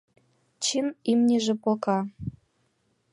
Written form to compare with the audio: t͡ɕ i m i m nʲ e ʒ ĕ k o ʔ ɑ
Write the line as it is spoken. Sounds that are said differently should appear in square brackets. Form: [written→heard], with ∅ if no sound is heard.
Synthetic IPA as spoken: t͡ɕ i m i m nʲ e ʒ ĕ [k→p] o [ʔ→k] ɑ

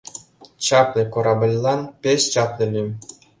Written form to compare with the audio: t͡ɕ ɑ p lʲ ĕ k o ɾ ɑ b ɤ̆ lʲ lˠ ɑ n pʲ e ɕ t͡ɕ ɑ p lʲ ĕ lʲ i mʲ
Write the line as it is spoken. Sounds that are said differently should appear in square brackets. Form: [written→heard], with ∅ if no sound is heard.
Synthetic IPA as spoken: t͡ɕ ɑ p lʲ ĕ k o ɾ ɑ b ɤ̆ lʲ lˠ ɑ n pʲ e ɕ t͡ɕ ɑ p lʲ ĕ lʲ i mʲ

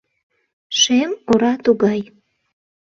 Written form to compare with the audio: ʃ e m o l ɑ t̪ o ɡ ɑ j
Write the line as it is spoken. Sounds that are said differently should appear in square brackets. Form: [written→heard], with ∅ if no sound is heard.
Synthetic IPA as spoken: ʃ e m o [l→ɾ] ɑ t̪ [o→u] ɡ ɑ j

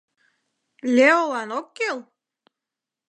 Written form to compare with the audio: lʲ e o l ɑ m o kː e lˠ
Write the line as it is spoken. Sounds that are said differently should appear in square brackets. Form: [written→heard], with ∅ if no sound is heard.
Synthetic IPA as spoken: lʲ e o l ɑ [m→n] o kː e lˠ

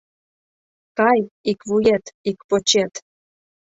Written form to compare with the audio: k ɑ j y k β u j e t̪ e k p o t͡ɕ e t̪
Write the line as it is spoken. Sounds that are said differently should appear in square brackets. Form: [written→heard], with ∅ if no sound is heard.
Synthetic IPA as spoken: k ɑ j [y→i] k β u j e t̪ [e→i] k p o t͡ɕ e t̪

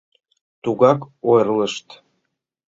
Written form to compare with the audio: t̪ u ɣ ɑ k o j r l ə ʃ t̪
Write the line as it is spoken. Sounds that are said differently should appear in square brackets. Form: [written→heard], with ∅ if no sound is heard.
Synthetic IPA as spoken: t̪ u ɣ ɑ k o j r l ə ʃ t̪

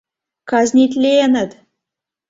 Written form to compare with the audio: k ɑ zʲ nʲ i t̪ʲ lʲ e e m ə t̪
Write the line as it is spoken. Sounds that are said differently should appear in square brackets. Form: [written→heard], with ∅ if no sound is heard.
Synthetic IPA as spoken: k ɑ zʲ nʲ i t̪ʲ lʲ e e [m→n] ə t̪

